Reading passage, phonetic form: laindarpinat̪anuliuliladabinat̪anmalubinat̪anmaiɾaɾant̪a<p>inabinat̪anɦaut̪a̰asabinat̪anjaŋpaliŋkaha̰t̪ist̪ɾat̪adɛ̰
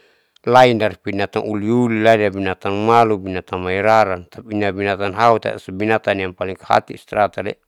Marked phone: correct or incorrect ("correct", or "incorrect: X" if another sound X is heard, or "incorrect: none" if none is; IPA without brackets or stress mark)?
correct